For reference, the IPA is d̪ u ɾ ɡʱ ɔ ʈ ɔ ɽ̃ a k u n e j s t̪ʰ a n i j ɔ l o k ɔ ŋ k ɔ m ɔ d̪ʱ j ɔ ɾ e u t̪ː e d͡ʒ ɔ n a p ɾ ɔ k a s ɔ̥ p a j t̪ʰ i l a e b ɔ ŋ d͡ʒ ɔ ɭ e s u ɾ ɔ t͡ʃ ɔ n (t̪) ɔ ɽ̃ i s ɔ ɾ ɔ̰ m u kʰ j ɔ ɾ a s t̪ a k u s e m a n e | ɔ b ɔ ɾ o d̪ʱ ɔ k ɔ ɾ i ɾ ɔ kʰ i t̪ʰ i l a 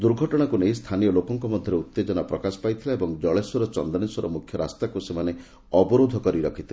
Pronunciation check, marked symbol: incorrect: d̪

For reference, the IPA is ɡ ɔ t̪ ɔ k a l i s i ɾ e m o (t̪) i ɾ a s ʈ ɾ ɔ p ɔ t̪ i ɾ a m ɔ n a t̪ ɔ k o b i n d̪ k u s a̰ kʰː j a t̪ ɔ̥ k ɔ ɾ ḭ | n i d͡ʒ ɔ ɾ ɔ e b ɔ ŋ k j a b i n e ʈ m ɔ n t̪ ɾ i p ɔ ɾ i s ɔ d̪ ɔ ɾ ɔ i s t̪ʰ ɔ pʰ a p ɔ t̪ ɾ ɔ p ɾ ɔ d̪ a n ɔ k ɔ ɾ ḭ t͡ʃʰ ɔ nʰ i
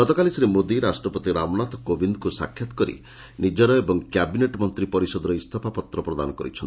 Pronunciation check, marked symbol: incorrect: d̪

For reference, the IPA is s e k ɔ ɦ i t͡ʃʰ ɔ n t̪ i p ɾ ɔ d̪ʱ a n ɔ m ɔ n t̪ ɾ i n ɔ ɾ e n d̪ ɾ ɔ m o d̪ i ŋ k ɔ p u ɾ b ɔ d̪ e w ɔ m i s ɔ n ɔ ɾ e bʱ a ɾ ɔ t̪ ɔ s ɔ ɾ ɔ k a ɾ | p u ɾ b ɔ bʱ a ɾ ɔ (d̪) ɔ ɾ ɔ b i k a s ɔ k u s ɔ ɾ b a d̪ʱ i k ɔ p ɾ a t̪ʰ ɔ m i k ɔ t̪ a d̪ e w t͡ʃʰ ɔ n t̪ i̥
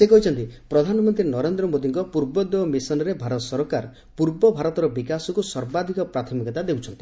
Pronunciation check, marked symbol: incorrect: t̪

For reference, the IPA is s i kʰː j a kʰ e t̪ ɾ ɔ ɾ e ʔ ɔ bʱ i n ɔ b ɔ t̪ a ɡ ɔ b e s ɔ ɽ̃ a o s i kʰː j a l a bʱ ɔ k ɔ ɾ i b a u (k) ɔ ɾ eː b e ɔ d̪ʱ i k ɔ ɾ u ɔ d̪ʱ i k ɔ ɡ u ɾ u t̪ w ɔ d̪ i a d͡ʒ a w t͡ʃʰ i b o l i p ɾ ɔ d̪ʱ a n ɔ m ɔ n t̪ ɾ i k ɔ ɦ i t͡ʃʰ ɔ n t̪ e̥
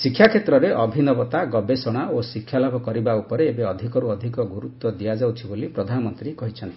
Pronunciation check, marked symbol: incorrect: p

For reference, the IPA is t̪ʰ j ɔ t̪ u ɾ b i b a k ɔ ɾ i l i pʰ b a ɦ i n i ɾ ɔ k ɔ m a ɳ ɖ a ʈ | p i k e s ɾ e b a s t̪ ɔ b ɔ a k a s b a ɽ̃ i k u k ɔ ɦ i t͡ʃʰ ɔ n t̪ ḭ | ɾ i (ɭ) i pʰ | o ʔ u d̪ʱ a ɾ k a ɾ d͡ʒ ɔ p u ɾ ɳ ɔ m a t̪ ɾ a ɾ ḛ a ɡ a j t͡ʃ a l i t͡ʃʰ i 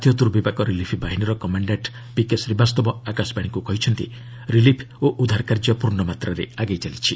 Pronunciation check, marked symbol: incorrect: l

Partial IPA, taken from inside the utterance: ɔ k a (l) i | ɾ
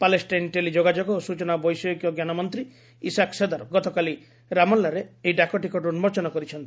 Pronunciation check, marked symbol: correct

